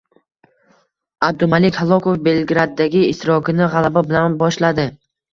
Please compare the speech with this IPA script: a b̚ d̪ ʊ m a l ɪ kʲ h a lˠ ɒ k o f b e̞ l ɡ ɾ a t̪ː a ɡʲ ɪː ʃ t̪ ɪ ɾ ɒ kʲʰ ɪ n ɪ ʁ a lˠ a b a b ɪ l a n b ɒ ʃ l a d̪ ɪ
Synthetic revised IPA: a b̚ d̪ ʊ m a l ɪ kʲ h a lˠ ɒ k o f b e̞ l ɡ ɾ a d̪ː a ɡʲ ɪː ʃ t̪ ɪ ɾ ɒ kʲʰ ɪ n ɪ ʁ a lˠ a b a b ɪ l a n b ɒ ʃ l a d̪ ɪ